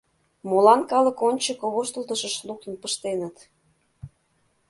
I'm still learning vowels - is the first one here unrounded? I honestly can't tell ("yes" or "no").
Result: no